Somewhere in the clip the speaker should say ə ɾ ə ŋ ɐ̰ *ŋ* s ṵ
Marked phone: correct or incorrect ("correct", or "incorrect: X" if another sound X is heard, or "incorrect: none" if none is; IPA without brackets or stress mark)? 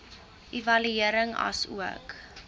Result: incorrect: none